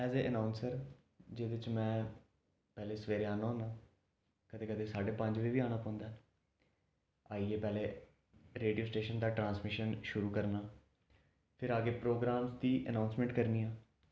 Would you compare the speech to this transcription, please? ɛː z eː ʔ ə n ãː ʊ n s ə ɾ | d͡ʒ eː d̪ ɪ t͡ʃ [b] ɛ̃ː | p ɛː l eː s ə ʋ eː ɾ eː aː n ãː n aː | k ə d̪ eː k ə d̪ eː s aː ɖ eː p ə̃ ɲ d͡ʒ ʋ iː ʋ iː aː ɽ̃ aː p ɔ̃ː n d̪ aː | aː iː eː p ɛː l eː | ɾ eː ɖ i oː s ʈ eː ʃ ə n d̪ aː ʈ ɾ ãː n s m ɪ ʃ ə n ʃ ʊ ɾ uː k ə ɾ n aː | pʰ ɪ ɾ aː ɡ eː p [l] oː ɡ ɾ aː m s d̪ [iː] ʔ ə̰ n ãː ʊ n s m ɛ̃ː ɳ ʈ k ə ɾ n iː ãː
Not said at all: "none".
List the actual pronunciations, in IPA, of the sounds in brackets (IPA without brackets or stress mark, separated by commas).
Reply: m, ɾ, iː